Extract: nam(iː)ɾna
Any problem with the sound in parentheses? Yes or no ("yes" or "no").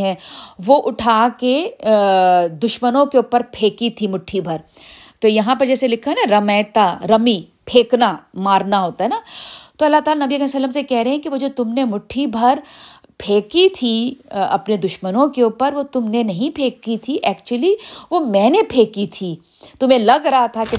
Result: yes